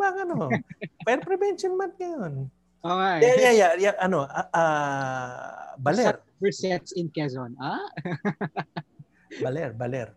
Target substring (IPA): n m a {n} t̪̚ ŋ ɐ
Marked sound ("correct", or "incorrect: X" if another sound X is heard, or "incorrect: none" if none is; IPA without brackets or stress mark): correct